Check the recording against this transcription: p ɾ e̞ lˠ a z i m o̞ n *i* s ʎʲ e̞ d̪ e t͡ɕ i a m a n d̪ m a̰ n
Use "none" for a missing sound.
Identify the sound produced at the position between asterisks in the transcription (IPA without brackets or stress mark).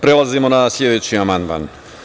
a